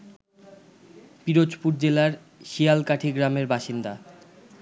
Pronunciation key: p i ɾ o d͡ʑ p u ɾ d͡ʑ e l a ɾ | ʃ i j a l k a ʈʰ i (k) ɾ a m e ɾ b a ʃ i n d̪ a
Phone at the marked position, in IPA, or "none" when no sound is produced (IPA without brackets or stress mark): ɡ